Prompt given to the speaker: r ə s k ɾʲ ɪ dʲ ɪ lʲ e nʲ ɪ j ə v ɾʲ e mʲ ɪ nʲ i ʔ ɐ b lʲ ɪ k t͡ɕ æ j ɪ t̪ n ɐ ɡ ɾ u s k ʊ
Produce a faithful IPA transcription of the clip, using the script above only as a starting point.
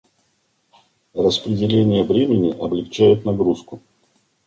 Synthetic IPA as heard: r ə s p ɾʲ ɪ dʲ ɪ lʲ e nʲ ɪ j ə v ɾʲ e mʲ ɪ nʲ ɪ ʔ ɐ b lʲ ɪ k t͡ɕ æ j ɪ t̪ n ɐ ɡ ɾ u s k ʊ